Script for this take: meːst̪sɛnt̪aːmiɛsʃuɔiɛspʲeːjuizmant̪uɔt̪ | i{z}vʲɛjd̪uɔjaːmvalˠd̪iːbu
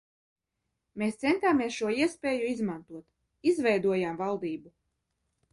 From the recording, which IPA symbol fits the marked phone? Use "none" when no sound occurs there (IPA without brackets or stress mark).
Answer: z